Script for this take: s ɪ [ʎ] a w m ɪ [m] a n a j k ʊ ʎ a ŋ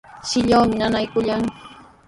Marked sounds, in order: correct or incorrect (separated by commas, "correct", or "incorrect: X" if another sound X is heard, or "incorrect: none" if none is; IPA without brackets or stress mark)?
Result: correct, incorrect: n